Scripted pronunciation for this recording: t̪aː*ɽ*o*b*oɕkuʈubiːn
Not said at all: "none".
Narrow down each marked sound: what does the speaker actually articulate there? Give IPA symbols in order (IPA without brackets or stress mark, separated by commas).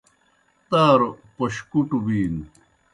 ɾ, p